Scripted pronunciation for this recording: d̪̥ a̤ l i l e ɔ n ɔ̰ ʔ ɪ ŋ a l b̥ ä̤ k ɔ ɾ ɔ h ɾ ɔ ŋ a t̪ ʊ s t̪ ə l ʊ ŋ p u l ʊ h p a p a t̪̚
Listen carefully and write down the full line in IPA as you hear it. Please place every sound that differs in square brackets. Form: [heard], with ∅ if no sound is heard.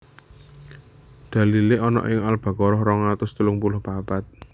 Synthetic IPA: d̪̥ a̤ l i l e ɔ n ɔ̰ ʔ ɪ ŋ a l b̥ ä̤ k ɔ ɾ ɔ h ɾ ɔ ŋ a t̪ ʊ s t̪ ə l ʊ ŋ p u l ʊ h p a p a t̪̚